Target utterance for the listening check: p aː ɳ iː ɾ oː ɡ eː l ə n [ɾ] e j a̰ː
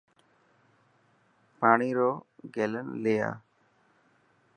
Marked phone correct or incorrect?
incorrect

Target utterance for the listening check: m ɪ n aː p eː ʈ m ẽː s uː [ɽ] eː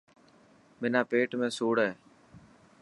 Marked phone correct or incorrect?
correct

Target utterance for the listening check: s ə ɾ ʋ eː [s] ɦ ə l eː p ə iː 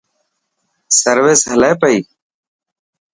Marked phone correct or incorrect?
correct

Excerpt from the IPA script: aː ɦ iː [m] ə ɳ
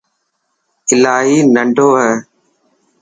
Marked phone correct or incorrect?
incorrect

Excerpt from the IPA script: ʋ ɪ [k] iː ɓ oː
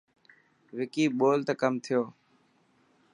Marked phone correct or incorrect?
correct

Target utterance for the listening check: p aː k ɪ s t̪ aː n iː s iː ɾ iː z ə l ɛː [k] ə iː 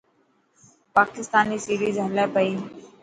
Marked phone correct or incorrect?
incorrect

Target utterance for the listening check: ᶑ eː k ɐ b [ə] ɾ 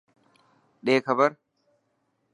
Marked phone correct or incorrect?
incorrect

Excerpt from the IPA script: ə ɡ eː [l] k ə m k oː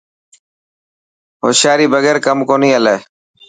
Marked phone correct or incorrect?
incorrect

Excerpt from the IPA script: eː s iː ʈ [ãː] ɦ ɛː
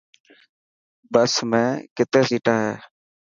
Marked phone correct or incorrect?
incorrect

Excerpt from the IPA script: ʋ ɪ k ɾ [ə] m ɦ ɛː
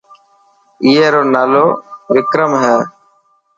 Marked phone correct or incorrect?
correct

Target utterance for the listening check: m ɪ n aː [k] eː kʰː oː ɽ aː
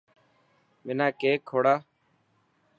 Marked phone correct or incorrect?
correct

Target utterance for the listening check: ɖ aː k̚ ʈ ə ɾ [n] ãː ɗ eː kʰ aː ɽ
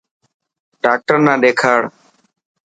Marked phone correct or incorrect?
correct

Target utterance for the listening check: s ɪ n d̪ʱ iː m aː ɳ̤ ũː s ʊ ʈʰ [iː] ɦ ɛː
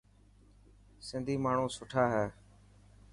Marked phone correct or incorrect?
incorrect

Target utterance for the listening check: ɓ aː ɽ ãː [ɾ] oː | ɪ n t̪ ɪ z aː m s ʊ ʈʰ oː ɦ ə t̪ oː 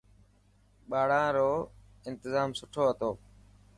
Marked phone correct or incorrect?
correct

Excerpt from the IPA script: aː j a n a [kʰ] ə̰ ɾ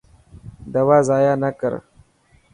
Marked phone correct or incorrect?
incorrect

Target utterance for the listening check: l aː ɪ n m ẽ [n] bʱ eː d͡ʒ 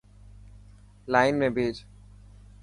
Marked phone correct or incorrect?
incorrect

